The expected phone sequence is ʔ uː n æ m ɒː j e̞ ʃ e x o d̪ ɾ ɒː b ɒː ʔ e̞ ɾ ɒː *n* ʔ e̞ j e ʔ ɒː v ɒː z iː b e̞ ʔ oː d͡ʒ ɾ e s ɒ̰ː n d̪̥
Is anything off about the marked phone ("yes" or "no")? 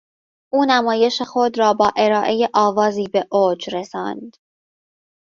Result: yes